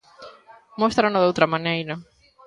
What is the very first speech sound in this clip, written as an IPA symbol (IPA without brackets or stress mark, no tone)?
m